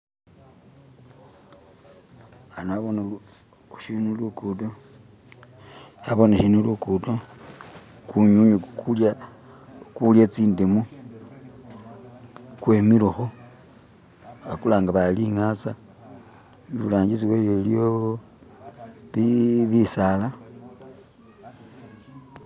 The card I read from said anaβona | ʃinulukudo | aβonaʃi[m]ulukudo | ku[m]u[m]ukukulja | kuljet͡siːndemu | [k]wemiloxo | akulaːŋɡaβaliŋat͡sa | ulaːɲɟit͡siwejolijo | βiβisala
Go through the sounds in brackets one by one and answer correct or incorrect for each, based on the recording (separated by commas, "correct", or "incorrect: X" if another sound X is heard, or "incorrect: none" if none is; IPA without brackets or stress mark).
incorrect: n, incorrect: ɲ, incorrect: ɲ, correct